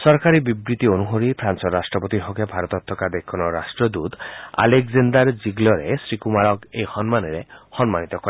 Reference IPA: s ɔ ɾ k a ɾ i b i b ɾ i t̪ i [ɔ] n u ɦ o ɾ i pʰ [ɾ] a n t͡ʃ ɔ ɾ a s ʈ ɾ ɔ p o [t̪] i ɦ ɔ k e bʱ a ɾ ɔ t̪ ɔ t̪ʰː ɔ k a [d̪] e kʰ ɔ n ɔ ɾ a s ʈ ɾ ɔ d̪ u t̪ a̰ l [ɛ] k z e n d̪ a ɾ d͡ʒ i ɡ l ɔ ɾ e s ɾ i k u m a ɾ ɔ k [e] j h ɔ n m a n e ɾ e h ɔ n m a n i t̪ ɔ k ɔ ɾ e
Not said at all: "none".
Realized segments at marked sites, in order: o, ɾ, t̪, d̪, e, e

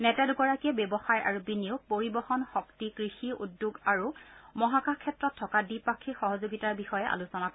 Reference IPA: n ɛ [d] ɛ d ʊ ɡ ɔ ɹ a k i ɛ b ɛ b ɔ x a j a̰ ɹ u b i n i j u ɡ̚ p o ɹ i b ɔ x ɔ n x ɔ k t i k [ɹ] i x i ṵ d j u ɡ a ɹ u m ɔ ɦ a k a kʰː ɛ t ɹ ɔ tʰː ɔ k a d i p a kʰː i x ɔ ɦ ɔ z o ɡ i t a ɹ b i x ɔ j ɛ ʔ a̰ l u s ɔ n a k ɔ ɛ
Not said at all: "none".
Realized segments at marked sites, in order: t, ɹ

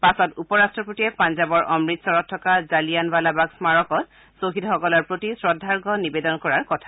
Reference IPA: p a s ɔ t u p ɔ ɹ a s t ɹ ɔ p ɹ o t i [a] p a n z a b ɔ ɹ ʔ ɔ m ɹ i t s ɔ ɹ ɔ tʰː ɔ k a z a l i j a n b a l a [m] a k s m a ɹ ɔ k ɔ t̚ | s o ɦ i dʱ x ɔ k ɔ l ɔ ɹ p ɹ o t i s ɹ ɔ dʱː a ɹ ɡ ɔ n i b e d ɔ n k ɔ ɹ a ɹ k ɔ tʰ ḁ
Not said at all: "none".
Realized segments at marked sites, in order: ɛ, b

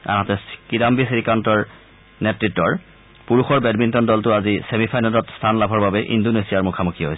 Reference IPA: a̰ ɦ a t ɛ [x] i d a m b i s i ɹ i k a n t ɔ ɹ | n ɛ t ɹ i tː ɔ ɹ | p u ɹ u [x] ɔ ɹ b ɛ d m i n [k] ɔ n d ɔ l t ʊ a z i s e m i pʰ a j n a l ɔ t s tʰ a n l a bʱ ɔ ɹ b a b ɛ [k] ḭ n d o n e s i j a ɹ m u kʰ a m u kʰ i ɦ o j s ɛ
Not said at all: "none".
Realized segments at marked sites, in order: k, x, t, ʔ

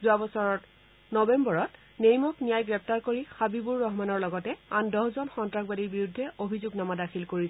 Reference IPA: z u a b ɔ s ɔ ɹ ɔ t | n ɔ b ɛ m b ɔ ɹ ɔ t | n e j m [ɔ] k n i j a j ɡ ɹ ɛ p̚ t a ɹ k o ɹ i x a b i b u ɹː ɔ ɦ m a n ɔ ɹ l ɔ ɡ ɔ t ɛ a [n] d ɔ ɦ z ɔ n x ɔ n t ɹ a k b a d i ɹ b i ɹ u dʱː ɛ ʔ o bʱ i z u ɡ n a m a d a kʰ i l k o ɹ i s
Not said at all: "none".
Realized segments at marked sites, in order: ɔ, n

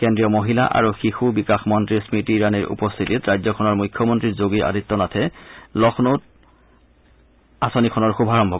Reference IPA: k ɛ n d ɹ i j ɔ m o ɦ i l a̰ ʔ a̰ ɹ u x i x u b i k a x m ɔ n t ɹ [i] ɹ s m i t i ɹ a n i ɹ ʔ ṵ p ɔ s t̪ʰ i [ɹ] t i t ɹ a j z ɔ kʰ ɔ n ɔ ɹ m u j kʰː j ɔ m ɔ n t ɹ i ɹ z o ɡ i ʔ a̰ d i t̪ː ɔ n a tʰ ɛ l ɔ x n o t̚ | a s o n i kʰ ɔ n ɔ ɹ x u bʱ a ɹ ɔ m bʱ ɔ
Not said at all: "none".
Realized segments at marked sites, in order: i, none

